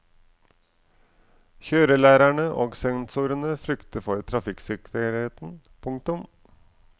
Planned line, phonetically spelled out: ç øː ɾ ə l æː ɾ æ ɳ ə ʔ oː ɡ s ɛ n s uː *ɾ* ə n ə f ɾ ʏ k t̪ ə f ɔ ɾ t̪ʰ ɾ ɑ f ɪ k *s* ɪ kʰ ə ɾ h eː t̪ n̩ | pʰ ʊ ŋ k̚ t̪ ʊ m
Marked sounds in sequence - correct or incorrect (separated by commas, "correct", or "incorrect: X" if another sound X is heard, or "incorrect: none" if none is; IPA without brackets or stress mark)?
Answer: correct, correct